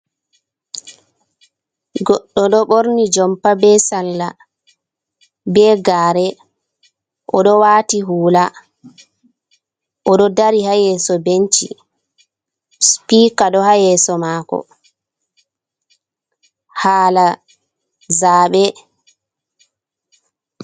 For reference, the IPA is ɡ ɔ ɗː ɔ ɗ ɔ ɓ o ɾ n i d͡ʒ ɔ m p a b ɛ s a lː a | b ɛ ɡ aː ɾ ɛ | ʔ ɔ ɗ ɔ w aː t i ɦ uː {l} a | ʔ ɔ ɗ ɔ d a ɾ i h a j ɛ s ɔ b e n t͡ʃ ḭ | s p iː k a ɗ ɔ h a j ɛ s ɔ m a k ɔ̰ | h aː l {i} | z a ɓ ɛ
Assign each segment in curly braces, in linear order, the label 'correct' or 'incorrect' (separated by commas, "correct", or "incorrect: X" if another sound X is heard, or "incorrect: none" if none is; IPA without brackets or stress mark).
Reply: correct, incorrect: a